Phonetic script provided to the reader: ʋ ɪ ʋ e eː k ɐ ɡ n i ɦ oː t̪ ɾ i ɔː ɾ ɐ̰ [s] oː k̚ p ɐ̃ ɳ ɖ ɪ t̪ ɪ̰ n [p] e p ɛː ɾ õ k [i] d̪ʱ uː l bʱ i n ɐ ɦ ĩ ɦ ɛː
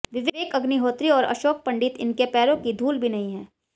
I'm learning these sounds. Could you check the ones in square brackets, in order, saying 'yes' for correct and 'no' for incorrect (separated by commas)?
no, no, yes